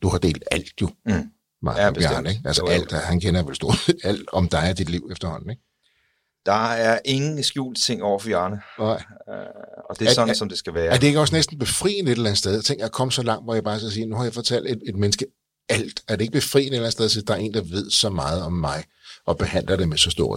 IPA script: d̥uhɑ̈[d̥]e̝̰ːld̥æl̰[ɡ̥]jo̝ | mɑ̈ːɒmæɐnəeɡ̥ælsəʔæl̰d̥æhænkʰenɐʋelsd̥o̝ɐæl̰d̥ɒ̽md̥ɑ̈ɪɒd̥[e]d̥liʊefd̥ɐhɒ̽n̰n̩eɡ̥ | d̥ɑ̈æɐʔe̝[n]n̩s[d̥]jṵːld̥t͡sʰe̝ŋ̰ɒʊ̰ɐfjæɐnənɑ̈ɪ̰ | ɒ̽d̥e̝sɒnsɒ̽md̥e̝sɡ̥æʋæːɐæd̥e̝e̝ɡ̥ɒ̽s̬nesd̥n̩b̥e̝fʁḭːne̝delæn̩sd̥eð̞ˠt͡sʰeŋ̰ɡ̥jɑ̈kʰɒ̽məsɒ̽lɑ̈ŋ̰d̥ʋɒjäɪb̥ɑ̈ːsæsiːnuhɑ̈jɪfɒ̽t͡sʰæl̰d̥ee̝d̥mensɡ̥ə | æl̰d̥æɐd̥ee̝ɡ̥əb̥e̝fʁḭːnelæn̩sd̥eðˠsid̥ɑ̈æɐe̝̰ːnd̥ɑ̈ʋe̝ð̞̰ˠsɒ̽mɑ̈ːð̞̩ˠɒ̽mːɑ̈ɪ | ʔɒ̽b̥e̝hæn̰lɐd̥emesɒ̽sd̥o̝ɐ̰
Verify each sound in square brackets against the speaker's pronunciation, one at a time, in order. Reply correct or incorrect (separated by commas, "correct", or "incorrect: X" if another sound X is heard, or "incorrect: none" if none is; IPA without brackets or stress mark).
correct, incorrect: d̥, incorrect: i, incorrect: ŋ, incorrect: ɡ̥